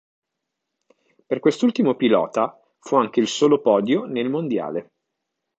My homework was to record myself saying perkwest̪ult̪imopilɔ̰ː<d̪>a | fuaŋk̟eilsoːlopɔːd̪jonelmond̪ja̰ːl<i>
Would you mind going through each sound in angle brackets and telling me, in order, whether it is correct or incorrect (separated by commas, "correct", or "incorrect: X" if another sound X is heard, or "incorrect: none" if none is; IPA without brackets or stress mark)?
incorrect: t̪, incorrect: e